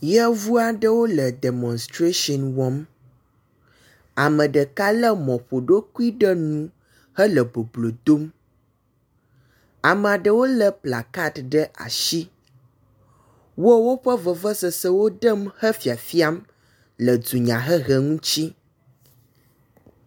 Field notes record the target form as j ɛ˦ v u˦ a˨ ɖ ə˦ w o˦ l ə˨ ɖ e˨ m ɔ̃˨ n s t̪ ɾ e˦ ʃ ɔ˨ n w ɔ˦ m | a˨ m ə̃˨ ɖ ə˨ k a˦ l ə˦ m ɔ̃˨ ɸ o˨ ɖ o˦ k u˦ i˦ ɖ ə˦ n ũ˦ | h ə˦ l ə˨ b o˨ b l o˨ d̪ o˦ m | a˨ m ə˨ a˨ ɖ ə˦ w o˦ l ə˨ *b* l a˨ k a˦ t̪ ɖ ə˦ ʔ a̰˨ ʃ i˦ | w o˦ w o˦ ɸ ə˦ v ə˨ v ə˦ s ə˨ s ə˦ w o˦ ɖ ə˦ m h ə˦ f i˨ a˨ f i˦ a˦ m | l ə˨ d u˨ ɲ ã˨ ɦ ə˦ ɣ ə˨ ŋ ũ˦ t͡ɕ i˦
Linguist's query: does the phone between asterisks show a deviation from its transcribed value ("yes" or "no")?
yes